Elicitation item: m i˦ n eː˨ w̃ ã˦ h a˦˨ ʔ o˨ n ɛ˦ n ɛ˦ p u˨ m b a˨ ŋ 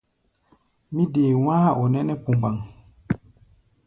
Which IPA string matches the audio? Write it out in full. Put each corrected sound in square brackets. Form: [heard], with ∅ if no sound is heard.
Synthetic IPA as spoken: m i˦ [d] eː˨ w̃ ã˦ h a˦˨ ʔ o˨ n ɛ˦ n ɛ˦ p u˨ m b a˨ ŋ